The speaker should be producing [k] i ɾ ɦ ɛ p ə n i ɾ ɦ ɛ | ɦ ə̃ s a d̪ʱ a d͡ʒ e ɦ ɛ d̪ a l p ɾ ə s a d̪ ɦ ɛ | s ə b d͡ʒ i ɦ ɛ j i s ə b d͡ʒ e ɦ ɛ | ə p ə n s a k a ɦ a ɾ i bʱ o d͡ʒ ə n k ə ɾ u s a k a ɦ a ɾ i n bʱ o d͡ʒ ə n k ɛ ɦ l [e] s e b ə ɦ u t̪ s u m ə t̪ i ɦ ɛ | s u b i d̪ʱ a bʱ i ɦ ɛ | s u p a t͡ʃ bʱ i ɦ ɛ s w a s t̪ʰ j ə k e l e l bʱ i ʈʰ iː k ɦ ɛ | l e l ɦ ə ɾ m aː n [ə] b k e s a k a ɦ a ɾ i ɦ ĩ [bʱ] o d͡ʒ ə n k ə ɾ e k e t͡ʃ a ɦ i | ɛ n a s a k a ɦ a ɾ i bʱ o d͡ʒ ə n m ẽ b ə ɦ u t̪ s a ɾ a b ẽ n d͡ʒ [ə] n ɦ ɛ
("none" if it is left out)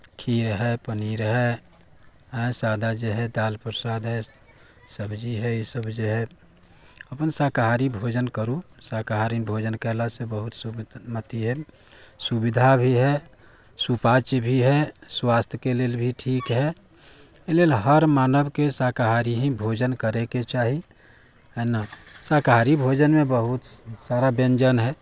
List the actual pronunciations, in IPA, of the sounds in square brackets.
kʰ, a, ə, bʱ, ə

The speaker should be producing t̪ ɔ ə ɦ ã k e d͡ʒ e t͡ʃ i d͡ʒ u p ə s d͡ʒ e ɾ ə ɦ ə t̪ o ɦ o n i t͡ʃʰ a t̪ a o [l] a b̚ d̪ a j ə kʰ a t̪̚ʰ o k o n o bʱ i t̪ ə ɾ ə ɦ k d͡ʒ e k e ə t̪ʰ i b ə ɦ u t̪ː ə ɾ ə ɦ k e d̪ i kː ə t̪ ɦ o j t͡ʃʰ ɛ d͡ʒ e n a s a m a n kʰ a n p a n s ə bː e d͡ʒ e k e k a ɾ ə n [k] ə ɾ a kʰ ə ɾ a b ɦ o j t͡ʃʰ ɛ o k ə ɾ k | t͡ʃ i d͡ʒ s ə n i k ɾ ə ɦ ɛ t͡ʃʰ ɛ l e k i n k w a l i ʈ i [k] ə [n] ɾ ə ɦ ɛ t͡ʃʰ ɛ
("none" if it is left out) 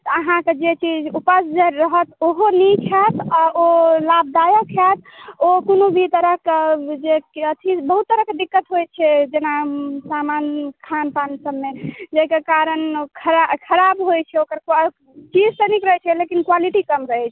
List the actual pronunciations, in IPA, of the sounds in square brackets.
l, kʰ, k, m

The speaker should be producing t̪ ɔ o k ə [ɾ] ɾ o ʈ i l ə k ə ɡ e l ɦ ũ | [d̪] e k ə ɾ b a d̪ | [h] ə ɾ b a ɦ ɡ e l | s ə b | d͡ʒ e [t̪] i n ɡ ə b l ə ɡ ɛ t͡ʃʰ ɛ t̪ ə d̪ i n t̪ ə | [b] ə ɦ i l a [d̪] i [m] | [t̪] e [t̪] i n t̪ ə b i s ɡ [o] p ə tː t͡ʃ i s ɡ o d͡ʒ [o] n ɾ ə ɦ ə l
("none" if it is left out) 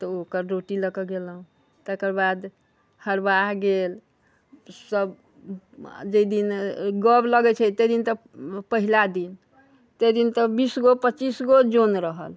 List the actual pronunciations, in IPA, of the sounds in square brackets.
ɾ, t̪, h, d̪, p, d̪, n, t̪, d̪, o, o

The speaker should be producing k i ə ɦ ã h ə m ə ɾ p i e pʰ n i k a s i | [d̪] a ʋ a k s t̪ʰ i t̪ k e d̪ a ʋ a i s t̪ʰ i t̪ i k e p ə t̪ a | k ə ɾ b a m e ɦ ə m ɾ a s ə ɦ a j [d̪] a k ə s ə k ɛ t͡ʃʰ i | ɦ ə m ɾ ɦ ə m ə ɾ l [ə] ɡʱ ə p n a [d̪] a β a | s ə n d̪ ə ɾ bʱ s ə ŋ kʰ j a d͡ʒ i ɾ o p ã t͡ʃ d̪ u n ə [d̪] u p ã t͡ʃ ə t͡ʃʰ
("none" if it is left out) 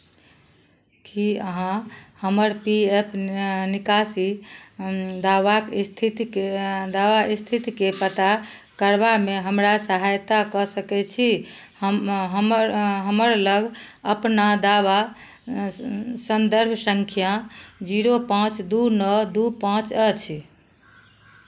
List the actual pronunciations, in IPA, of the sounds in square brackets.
d̪, t̪, ə, d̪, d̪

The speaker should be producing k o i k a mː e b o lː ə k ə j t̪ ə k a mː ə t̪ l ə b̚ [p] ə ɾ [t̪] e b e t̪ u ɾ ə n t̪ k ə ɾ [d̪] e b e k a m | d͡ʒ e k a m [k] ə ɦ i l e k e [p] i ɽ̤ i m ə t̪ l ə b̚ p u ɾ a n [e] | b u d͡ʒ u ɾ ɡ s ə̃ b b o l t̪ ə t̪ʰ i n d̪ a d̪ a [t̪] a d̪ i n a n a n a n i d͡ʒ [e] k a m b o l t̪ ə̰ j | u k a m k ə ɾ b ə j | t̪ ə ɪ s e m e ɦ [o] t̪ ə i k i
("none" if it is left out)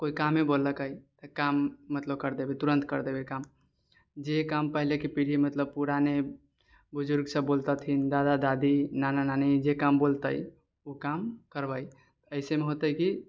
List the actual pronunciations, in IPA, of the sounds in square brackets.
k, d̪, d̪, p, p, e, d̪, e, o

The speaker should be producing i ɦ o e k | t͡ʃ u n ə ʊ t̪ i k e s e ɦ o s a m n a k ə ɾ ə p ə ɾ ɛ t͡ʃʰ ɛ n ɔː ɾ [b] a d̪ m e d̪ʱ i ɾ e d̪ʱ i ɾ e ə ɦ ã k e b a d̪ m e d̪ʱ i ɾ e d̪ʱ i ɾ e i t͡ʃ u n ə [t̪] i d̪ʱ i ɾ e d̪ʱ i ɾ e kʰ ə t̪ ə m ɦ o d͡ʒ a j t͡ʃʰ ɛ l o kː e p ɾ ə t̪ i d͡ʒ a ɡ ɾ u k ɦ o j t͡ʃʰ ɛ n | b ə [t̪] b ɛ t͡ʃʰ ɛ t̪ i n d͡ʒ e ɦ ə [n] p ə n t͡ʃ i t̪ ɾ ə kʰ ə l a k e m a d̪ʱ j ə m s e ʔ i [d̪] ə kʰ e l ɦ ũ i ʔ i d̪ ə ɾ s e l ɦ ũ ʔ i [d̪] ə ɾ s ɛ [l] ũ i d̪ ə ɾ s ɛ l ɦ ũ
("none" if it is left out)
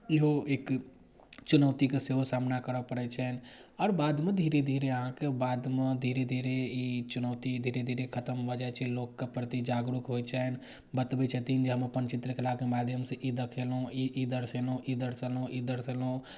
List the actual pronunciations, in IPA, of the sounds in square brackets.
b, t̪, t̪, m, d̪, d̪, l

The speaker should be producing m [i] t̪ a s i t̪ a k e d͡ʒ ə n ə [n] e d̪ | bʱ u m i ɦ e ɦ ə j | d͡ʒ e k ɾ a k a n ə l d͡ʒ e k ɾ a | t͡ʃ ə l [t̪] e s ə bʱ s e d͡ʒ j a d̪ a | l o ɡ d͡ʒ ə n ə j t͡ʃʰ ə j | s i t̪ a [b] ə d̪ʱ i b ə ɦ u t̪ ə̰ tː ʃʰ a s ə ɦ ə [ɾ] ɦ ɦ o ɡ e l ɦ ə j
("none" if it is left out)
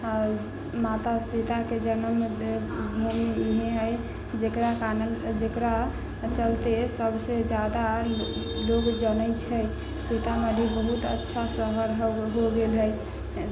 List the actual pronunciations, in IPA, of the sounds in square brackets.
a, m, t̪, m, ɾ

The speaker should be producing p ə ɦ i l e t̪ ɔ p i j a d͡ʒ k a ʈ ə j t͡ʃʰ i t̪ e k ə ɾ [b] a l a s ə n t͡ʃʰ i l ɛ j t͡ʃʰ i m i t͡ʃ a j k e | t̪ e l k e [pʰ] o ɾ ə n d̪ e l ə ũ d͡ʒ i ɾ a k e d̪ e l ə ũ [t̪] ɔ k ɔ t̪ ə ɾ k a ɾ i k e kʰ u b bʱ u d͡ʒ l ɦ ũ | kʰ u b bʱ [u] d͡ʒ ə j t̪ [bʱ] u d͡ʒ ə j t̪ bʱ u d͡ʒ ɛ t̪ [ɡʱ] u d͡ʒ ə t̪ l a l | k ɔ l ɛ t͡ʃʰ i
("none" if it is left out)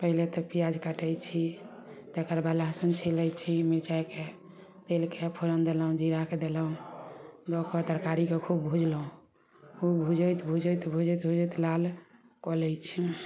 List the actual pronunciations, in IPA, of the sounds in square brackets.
b, pʰ, d̪, u, bʱ, bʱ

